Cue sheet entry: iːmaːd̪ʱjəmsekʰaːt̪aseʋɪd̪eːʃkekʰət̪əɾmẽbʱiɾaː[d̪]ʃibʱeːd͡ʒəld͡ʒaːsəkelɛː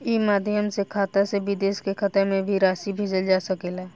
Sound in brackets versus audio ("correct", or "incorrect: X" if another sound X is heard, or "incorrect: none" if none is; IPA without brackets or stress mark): incorrect: none